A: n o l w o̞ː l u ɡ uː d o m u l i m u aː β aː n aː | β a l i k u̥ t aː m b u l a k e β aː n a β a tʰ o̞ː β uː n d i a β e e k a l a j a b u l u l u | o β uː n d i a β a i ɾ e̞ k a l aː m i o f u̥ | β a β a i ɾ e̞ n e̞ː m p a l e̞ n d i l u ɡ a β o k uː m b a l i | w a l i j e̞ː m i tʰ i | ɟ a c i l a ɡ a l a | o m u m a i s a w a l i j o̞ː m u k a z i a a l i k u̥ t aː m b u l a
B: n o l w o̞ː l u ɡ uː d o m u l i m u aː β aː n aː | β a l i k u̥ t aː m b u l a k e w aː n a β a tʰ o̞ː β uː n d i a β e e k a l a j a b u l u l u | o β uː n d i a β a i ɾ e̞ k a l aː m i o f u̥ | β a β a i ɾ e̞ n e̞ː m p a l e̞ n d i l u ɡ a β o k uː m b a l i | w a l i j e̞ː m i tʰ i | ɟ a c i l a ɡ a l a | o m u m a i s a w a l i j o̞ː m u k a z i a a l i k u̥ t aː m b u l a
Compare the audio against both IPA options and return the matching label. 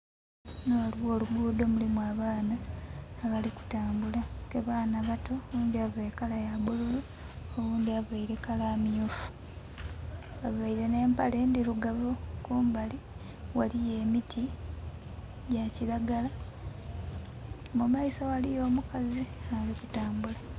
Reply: A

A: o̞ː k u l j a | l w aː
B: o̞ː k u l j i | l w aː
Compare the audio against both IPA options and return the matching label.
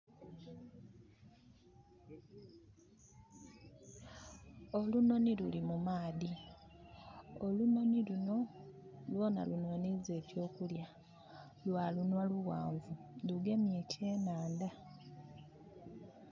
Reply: A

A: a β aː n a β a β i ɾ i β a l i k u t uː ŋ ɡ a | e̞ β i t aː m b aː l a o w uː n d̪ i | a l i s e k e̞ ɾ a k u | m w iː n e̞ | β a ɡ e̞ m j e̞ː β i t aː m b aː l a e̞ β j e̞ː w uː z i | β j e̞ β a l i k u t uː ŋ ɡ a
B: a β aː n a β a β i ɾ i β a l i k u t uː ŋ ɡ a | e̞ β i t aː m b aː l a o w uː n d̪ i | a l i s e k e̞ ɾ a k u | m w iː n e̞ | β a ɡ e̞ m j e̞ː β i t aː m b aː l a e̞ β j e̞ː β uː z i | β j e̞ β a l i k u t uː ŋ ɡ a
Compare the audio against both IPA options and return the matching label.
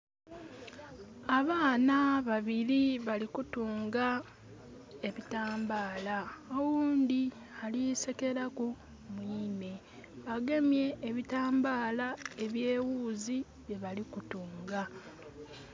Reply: A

